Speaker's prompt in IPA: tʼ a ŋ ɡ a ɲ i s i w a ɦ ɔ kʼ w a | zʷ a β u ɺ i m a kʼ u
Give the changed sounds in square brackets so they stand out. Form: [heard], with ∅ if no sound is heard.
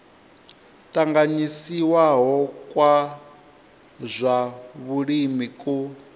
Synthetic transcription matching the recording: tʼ a ŋ ɡ a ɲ i s i w a ɦ ɔ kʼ w a | zʷ a β u ɺ i m [i] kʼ u